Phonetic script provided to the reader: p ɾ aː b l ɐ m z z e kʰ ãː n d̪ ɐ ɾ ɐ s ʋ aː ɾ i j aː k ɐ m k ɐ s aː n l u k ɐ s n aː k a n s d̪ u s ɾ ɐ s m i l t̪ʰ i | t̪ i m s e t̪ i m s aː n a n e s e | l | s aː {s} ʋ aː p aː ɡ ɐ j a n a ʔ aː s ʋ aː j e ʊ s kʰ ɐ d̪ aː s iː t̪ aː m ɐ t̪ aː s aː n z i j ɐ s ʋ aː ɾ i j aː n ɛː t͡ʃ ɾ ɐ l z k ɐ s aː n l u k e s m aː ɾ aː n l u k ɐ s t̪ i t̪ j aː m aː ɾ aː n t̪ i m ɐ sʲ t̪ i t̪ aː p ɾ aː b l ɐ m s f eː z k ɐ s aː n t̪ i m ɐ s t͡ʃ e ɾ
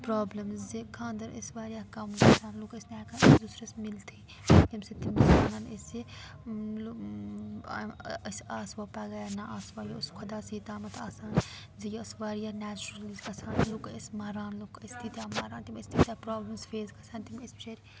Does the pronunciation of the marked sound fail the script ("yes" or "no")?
no